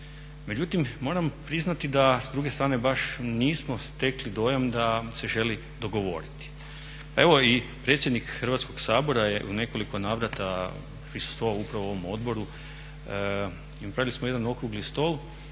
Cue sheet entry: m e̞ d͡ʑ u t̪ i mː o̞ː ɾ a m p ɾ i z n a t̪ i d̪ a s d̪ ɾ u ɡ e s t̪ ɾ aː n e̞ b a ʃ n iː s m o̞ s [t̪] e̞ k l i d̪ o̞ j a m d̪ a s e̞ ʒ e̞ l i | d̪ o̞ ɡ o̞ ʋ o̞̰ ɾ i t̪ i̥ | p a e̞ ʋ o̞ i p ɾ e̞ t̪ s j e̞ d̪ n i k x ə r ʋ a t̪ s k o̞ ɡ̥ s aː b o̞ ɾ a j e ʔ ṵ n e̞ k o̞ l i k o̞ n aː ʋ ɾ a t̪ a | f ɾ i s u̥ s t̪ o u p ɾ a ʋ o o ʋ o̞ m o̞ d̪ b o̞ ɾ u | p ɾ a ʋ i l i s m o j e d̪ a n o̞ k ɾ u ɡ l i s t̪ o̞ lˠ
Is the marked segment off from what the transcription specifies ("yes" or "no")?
no